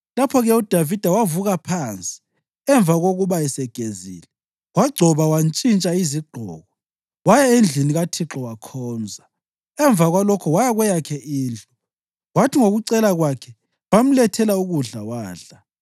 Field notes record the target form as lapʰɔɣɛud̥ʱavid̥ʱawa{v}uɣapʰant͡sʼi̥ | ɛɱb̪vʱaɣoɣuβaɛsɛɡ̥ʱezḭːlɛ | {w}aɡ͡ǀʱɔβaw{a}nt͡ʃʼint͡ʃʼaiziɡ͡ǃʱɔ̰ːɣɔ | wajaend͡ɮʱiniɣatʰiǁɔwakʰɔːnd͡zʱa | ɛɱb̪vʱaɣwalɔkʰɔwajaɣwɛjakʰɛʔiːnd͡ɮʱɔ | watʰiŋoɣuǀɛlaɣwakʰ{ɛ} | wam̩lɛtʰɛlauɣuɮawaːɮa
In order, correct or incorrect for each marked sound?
correct, correct, correct, correct

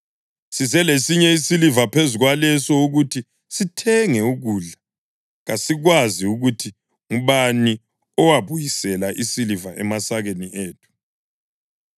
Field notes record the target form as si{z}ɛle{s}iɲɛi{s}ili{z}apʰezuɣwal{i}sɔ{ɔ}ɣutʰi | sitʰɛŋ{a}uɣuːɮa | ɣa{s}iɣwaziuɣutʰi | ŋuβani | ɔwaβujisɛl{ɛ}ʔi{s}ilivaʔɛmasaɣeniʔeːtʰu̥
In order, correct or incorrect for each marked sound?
correct, correct, correct, incorrect: v, incorrect: ɛ, incorrect: u, incorrect: ɛ, correct, incorrect: a, correct

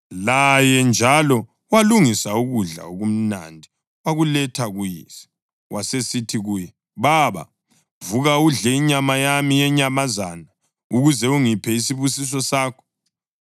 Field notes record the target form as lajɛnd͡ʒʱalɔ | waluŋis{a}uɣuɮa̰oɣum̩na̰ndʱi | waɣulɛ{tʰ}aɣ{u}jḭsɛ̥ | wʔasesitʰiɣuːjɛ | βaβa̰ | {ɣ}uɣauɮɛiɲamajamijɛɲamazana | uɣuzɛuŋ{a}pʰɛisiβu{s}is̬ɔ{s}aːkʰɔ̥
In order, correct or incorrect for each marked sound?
correct, correct, correct, incorrect: v, incorrect: i, correct, correct

